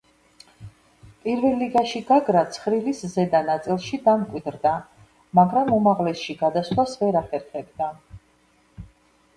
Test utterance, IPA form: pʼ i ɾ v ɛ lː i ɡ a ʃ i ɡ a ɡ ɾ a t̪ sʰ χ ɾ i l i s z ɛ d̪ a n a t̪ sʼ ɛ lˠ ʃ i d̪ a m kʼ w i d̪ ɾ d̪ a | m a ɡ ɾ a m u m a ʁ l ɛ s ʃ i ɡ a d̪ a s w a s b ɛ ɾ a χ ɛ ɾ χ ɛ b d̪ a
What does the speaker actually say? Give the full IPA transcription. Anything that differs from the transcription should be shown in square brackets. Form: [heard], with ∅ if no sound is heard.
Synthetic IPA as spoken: pʼ i ɾ v ɛ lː i ɡ a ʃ i ɡ a ɡ ɾ a t̪ sʰ χ ɾ i l i s z ɛ d̪ a n a t̪ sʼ [i] lˠ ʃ i d̪ a m kʼ w i d̪ ɾ d̪ a | m a ɡ ɾ a m u m a ʁ l ɛ s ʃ i ɡ a d̪ a s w a s [v] ɛ ɾ a χ ɛ ɾ χ ɛ b d̪ a